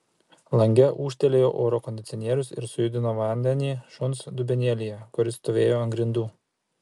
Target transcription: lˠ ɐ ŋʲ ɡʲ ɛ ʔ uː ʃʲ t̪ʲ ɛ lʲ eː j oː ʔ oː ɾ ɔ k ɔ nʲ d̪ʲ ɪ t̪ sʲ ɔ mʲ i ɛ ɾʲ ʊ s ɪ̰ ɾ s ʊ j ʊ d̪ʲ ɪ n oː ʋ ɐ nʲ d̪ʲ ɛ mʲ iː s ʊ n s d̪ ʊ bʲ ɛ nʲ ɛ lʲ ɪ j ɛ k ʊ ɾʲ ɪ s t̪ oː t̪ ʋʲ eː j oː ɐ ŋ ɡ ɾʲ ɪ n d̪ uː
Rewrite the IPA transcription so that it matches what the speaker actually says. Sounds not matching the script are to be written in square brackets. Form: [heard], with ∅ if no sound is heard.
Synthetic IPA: lˠ ɐ ŋʲ ɡʲ ɛ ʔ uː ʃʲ t̪ʲ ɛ lʲ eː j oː ʔ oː ɾ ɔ k ɔ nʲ d̪ʲ ɪ t̪ sʲ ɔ [nʲ] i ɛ ɾʲ ʊ s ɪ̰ ɾ s ʊ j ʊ d̪ʲ ɪ n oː ʋ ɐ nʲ d̪ʲ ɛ [nʲ] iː [ʃ] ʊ n s d̪ ʊ bʲ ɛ nʲ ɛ lʲ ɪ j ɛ k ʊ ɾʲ ɪ s t̪ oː [∅] ʋʲ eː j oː ɐ ŋ ɡ ɾʲ ɪ n d̪ uː